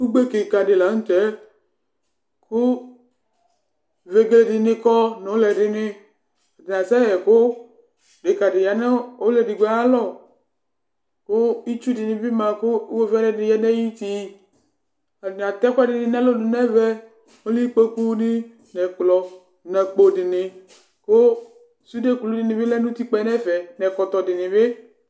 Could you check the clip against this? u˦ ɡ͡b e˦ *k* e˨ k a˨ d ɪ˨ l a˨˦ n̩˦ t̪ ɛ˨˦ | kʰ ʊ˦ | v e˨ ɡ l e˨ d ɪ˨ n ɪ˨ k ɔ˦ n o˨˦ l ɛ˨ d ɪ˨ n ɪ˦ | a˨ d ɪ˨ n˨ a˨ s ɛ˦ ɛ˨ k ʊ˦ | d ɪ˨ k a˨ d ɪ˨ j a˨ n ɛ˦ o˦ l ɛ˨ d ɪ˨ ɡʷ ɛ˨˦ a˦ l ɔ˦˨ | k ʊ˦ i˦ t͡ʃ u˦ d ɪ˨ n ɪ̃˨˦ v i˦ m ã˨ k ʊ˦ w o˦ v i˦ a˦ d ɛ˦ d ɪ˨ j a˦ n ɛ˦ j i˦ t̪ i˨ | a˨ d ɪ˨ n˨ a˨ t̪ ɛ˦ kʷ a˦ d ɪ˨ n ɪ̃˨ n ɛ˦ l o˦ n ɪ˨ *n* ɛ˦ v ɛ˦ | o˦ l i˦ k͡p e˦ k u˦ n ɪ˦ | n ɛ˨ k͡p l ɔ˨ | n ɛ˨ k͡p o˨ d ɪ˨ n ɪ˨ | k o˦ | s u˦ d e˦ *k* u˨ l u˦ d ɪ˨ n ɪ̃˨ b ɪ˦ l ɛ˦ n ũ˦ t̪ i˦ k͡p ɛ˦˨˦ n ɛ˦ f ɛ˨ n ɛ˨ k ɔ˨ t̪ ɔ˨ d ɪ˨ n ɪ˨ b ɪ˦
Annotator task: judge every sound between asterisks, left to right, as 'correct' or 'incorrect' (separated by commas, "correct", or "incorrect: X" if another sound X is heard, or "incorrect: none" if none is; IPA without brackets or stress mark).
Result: correct, correct, correct